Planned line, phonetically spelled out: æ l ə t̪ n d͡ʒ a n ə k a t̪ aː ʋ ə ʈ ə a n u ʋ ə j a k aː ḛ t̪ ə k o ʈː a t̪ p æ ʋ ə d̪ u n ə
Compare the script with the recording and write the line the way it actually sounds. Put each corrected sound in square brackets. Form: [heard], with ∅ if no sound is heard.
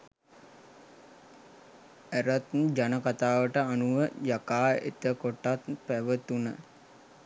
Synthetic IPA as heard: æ [ɾ] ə t̪ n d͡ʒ a n ə k a t̪ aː ʋ ə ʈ ə a n u ʋ ə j a k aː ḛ t̪ ə k o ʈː a t̪ p æ ʋ ə [t̪] u n ə